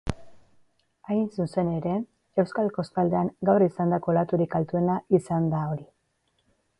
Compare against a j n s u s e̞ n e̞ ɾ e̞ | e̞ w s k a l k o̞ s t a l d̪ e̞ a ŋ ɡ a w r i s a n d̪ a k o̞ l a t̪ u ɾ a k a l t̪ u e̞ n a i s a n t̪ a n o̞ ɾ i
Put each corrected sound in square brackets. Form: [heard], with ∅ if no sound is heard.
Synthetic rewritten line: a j n s u s e̞ n e̞ ɾ e̞ | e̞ w s k a l k o̞ s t a l d̪ e̞ a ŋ ɡ a w r i s a n d̪ a k o̞ l a t̪ u ɾ [i] k a l t̪ u e̞ n a i s a n [d̪] a [∅] o̞ ɾ i